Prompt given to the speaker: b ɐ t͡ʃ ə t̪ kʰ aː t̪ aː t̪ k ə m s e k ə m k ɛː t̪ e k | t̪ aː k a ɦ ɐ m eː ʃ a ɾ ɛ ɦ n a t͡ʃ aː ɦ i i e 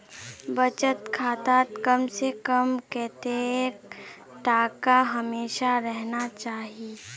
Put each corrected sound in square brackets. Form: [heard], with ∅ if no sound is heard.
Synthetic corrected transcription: b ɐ t͡ʃ ə t̪ kʰ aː t̪ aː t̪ k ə m s e k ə m k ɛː t̪ e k | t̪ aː k a ɦ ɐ m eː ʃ a ɾ ɛ ɦ n a t͡ʃ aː ɦ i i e